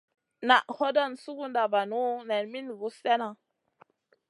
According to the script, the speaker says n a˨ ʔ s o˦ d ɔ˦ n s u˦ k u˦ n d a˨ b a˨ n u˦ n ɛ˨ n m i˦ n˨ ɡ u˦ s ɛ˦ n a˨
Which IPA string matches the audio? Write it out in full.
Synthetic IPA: n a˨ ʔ h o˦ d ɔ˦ n s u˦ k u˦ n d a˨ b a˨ n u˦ n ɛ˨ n m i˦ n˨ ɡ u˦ s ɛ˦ n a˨